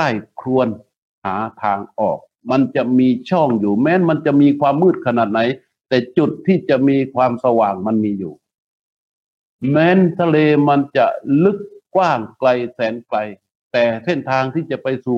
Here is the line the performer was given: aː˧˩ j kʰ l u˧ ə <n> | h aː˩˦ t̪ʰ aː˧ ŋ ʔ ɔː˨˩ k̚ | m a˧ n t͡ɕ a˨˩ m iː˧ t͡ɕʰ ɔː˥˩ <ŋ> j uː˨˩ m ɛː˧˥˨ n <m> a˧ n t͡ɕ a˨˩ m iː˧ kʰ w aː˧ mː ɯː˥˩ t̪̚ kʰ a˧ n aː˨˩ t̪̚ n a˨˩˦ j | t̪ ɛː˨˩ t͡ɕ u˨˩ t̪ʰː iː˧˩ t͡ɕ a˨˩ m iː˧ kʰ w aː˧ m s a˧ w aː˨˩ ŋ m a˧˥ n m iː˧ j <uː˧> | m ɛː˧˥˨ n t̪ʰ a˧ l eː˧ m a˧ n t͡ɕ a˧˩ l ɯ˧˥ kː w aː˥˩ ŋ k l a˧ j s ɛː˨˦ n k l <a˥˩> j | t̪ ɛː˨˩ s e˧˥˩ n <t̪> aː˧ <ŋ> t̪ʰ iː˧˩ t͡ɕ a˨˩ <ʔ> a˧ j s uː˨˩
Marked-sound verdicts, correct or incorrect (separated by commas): correct, correct, correct, incorrect, incorrect, incorrect, correct, incorrect